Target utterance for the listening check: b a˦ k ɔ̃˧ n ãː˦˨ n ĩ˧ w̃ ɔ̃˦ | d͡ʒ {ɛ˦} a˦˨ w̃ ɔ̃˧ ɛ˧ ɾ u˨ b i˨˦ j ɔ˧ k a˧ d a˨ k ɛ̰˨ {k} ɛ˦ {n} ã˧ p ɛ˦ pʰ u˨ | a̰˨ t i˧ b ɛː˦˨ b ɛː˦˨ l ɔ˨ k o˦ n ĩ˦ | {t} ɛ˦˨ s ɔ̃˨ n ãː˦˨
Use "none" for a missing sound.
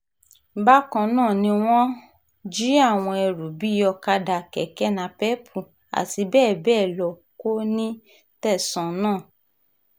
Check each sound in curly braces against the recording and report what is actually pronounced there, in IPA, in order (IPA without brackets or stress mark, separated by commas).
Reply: i˦, k, n, t